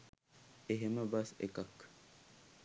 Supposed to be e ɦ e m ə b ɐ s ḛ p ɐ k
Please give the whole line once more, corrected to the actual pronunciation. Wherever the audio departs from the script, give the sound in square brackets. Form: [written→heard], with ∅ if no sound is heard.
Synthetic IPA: e ɦ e m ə b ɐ s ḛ [p→k] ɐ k